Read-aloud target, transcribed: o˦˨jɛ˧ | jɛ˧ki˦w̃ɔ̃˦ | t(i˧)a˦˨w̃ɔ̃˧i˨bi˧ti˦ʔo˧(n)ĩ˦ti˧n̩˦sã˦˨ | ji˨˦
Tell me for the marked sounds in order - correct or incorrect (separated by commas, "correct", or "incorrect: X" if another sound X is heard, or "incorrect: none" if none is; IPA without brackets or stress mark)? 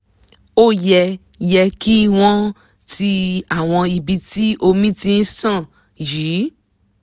correct, incorrect: m